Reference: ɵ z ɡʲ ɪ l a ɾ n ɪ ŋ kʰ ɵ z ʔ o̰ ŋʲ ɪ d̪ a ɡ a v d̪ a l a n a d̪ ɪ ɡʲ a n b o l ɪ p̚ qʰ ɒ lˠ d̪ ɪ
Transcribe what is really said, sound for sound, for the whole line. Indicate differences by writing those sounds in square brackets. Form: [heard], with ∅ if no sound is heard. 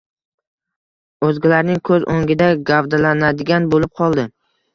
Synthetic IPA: ɵ z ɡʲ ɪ l a ɾ n ɪ ŋ kʰ ɵ z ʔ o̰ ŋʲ ɪ d̪ a ɡ a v d̪ a l a n a d̪ ɪ ɡʲ a n b o l ɪ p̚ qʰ ɒ lˠ d̪ ɪ